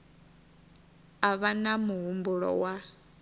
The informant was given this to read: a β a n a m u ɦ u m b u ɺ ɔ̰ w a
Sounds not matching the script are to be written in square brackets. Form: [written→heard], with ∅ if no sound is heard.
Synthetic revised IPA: a β a n a m u ɦ u m b u ɺ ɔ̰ w a